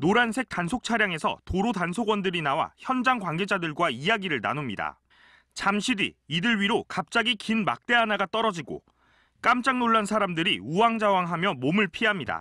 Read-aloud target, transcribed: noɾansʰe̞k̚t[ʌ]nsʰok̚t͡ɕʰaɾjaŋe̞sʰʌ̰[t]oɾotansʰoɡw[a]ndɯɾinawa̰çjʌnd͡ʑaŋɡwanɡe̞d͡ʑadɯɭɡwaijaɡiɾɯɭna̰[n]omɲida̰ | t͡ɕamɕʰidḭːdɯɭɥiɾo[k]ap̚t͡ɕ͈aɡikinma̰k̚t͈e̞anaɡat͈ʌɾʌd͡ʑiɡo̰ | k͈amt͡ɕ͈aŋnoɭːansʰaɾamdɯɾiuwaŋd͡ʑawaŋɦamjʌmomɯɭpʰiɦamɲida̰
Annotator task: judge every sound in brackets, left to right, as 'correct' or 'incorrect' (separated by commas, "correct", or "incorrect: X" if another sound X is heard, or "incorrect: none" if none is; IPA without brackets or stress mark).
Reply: incorrect: a, correct, incorrect: ʌ, correct, correct